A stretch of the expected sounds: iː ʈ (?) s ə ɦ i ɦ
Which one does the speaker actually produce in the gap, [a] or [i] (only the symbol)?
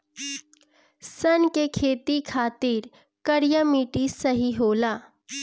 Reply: i